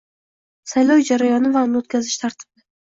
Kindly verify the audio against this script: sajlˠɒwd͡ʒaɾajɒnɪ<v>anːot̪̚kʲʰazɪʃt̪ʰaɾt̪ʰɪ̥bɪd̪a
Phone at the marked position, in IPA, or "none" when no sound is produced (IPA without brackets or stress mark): v